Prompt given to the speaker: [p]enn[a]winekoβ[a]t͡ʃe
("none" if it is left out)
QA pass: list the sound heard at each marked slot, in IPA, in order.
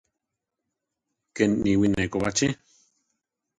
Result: k, i, a

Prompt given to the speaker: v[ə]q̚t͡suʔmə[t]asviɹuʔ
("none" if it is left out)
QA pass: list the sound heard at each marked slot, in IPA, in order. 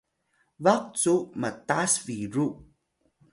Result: a, t

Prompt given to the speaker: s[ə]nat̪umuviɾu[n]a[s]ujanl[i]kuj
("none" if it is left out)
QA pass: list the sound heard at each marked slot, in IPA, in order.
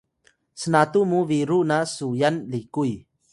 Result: ə, n, s, i

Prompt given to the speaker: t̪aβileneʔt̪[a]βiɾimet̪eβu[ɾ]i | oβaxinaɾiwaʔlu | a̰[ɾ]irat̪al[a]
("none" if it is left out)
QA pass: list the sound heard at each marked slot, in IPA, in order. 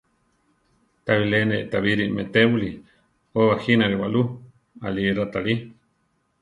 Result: a, l, l, i

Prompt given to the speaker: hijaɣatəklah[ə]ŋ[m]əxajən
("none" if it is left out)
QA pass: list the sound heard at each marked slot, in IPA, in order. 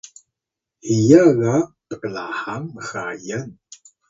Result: a, m

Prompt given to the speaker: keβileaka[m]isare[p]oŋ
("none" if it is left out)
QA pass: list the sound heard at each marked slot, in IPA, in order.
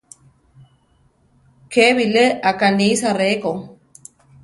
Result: n, k

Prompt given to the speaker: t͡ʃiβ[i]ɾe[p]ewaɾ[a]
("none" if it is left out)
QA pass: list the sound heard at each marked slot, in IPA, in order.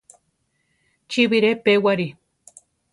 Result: i, p, i

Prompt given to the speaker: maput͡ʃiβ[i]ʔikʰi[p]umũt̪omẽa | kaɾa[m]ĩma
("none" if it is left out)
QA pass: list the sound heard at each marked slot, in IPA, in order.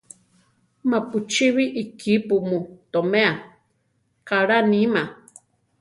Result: i, p, n

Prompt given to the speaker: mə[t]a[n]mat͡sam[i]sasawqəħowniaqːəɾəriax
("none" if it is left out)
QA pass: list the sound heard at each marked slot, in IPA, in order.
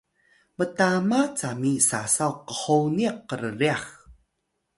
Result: t, none, i

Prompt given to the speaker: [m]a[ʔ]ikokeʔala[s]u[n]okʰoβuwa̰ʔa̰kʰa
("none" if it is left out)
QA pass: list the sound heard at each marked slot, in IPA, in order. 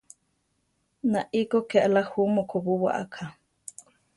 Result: n, ʔ, h, m

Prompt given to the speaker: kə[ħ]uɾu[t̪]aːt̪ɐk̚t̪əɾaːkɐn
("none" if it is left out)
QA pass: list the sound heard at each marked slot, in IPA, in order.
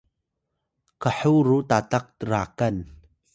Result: ħ, t̪

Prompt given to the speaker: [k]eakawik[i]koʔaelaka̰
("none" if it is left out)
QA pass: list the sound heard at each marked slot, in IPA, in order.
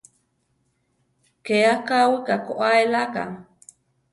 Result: k, a

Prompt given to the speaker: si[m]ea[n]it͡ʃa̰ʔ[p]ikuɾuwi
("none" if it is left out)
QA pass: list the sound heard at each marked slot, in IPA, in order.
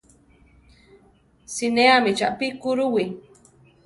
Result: n, m, p

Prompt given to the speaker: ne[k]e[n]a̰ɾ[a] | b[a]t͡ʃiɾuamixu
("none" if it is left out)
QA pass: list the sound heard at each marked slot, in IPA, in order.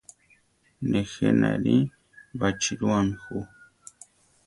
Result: x, n, i, a

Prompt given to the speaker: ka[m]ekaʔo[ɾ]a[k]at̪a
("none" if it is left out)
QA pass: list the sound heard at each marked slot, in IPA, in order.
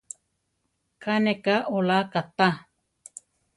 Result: n, l, k

